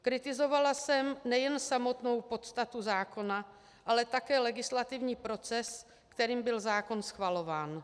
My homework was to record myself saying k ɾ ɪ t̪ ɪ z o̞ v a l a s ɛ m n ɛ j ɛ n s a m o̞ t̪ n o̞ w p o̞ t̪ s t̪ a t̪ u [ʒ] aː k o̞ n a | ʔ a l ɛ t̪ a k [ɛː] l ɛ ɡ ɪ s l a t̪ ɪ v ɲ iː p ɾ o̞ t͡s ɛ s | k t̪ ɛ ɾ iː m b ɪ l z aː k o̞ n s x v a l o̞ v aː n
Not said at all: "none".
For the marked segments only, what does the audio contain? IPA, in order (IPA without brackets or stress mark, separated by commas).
z, ɛː